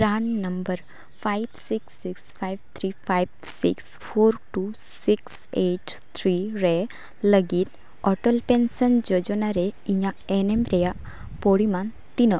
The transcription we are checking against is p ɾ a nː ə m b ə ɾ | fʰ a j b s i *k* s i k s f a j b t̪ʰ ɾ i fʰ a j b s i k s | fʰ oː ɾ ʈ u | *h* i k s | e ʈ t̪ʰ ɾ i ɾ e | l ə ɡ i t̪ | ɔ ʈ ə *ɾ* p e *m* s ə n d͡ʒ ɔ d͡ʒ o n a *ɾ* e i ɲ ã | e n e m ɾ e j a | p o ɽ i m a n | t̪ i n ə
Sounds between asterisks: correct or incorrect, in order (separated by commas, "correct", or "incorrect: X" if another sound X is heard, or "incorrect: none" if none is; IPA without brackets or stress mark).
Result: correct, incorrect: s, incorrect: l, incorrect: n, correct